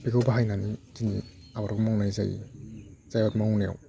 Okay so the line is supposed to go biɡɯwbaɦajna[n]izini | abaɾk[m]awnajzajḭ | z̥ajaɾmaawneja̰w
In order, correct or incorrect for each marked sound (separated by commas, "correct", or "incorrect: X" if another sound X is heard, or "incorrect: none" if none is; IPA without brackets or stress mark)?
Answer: correct, correct